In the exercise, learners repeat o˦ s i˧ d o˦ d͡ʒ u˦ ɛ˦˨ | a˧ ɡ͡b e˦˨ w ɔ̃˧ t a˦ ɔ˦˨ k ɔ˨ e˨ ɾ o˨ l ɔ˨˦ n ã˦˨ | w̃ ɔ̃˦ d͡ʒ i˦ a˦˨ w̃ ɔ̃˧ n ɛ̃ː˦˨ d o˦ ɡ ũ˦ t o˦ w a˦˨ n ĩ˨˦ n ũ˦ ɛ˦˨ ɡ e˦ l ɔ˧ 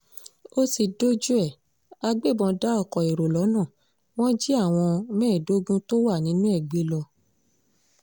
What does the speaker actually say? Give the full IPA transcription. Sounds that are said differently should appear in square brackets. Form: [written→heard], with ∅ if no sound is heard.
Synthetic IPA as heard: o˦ s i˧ d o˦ d͡ʒ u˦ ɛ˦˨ | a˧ ɡ͡b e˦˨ [w→b] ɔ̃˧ [t→d] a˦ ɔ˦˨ k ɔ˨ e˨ ɾ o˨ l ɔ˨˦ n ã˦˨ | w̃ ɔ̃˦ d͡ʒ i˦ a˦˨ w̃ ɔ̃˧ [n→m] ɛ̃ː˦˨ d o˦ ɡ ũ˦ t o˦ w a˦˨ n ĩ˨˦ n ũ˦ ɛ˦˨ [ɡ→ɡ͡b] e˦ l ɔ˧